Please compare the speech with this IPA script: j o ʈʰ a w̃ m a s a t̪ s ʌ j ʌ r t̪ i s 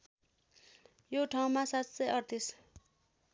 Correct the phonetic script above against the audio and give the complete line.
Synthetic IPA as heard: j o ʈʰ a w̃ m a s a t̪ s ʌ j ʌ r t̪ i s